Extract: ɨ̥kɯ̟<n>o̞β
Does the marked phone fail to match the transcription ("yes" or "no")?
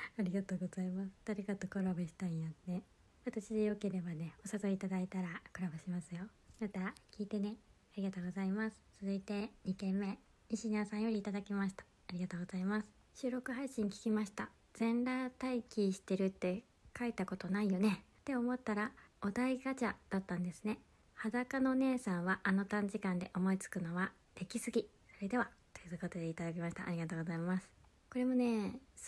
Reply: no